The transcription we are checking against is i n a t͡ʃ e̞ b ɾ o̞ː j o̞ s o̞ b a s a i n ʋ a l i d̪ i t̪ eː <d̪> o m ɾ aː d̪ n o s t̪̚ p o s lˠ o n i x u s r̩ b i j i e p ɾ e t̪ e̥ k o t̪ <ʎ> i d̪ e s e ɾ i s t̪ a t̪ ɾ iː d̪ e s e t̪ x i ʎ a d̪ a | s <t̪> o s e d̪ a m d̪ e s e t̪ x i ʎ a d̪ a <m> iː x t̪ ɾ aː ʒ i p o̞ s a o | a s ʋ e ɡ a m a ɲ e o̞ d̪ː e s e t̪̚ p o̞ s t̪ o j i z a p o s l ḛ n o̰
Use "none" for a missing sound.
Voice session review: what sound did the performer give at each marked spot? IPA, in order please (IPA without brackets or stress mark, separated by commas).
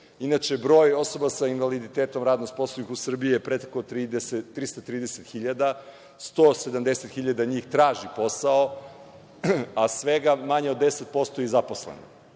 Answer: t̪, ɾ, t̪, ɲ